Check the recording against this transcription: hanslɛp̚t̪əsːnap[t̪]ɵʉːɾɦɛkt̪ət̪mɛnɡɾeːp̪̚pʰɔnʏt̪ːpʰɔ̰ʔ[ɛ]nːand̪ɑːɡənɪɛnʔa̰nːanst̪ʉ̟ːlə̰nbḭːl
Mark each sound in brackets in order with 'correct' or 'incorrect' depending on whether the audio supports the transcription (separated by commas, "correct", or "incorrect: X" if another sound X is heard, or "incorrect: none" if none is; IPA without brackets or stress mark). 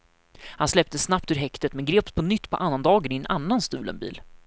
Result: correct, incorrect: a